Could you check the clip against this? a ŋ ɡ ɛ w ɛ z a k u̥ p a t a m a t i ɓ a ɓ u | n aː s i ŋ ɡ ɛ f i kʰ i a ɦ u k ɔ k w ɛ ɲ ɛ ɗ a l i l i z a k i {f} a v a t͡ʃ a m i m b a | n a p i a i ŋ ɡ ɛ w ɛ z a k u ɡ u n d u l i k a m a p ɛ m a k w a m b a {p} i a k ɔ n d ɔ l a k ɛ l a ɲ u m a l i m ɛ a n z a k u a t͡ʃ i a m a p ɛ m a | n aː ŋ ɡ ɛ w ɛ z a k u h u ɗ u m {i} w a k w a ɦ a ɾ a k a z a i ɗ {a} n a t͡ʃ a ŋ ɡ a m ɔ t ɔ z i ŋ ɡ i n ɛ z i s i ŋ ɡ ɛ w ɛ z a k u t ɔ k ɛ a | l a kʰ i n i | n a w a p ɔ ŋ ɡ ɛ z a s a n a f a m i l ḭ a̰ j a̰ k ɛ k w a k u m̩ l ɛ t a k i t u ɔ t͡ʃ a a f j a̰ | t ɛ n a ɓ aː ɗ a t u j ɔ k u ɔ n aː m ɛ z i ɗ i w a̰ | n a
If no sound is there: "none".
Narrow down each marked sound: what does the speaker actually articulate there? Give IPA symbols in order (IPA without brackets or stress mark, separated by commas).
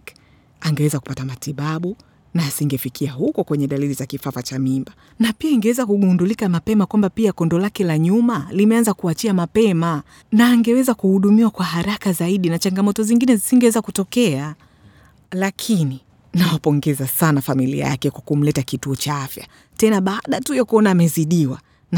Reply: f, p, i, i